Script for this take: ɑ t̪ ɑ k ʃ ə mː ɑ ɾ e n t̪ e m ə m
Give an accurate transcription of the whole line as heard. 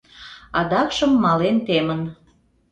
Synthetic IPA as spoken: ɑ d̪ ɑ k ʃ ə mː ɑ l e n t̪ e m ə n